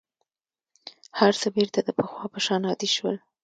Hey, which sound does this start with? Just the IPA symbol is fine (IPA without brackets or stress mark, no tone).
h